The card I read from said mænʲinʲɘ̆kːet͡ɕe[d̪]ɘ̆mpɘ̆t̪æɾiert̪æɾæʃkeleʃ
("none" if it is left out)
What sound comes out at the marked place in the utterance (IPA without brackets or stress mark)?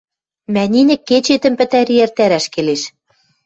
t̪